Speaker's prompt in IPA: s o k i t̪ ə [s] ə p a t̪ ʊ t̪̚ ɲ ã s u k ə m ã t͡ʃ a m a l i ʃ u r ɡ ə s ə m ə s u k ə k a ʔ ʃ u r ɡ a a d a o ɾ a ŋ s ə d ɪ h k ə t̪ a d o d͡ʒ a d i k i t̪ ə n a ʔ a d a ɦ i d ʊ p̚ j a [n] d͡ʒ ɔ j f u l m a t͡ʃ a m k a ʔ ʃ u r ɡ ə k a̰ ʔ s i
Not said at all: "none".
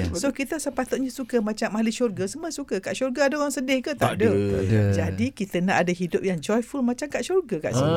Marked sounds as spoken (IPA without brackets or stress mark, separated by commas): s, ŋ